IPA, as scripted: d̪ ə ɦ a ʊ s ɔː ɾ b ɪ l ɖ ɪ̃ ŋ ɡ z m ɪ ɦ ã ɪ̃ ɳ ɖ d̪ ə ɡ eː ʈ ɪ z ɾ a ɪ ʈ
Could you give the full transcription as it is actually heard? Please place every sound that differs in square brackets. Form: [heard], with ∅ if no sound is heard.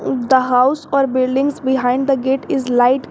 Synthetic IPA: d̪ ə ɦ a ʊ s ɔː ɾ b ɪ l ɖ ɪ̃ ŋ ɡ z [b] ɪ ɦ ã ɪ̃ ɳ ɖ d̪ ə ɡ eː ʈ ɪ z [l] a ɪ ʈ